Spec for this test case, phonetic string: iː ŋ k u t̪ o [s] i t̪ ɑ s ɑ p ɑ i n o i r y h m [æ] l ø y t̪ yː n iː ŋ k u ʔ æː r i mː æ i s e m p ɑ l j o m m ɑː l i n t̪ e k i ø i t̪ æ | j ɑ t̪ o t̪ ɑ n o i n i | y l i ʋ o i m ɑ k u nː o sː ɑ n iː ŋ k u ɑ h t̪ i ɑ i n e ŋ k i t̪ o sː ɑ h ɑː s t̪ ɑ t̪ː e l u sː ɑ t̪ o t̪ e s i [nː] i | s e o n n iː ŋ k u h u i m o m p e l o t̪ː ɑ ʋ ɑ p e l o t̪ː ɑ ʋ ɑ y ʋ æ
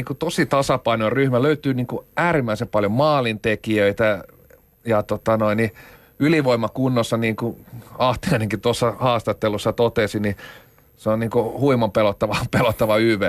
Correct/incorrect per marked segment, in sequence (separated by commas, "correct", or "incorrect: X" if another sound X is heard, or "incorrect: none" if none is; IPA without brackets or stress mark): correct, correct, incorrect: n